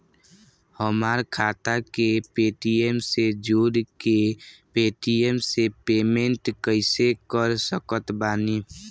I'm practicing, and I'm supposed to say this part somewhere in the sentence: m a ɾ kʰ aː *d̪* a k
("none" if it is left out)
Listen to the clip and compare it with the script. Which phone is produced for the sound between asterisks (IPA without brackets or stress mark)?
t̪